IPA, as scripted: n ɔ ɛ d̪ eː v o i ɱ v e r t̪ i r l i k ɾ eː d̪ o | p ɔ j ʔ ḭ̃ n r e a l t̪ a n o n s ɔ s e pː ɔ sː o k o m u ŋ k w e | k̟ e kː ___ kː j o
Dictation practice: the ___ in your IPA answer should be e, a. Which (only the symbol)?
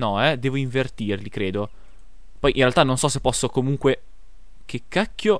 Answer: a